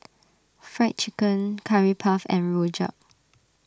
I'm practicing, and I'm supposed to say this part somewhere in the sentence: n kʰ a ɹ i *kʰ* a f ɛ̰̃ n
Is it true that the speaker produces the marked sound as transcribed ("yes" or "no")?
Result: no